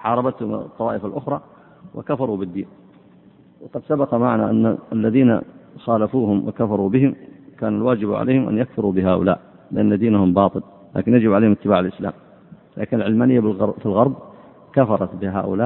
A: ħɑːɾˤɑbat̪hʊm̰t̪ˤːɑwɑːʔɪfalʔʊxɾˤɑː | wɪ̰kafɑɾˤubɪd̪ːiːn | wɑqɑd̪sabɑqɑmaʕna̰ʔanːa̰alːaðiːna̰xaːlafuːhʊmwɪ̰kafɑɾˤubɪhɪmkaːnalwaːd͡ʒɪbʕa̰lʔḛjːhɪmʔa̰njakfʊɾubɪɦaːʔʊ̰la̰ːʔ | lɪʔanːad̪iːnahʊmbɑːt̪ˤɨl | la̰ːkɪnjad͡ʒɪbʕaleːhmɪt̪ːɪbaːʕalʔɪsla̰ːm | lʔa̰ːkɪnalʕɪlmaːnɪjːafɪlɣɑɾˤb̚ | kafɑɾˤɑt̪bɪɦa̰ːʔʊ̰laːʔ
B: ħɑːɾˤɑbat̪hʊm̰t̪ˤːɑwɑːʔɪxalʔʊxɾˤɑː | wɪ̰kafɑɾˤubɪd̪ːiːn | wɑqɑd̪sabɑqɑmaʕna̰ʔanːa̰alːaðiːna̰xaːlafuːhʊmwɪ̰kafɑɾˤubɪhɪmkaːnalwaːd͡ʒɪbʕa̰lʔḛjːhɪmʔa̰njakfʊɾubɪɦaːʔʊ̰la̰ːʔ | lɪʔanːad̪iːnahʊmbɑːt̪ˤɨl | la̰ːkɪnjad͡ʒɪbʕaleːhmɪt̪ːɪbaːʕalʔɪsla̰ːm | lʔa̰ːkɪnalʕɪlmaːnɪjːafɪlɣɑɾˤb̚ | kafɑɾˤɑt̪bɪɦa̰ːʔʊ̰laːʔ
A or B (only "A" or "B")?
A